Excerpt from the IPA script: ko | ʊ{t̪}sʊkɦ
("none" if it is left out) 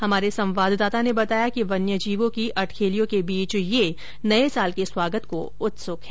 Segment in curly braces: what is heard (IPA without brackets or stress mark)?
t̪